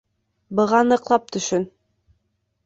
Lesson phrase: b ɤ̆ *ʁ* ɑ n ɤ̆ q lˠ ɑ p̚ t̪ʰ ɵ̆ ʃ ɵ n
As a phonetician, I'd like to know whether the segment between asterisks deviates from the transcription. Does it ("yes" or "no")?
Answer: no